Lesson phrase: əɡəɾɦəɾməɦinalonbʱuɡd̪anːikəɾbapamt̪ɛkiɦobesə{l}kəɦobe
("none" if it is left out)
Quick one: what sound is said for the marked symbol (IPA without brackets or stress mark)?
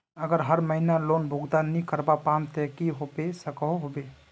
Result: none